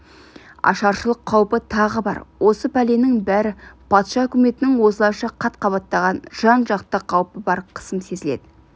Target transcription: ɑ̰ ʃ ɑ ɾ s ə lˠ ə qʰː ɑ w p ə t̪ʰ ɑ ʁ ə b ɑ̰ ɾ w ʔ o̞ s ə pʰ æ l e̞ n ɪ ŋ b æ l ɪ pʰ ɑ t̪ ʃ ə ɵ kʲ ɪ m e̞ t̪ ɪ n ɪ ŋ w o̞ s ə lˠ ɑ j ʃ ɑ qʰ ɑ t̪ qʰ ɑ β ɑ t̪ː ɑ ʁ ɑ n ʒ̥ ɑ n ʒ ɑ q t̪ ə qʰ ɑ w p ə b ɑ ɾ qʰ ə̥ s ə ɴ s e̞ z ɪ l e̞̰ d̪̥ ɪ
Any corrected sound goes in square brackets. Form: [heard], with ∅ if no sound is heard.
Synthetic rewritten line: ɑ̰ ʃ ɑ ɾ [ʃ] ə lˠ ə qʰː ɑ w p ə t̪ʰ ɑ ʁ ə b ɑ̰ ɾ w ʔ o̞ s ə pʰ æ l e̞ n ɪ ŋ b æ [ɾ] ɪ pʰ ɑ t̪ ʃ [ɑ] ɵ kʲ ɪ m e̞ t̪ ɪ n ɪ ŋ w o̞ s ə lˠ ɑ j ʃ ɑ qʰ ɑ t̪ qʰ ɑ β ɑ t̪ː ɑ ʁ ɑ n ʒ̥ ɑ n ʒ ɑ q t̪ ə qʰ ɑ w p ə b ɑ ɾ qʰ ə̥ s ə [m] s e̞ z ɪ l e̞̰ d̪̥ ɪ